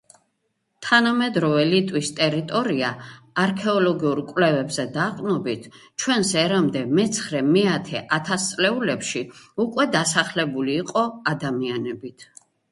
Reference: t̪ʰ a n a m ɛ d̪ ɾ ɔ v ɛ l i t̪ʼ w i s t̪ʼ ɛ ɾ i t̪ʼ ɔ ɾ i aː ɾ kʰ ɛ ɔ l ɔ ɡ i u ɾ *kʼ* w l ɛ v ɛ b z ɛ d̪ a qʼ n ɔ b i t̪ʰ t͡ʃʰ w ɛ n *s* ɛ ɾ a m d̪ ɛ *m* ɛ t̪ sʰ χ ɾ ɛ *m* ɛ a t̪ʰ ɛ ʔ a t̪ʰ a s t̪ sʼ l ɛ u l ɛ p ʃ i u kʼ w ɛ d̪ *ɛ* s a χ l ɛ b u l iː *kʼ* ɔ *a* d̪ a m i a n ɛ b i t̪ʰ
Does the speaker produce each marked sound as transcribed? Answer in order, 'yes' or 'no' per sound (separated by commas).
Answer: yes, yes, yes, yes, no, no, yes